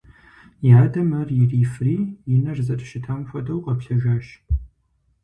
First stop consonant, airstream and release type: plain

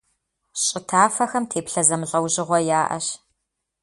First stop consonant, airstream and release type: aspirated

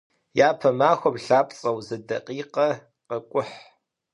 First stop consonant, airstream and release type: aspirated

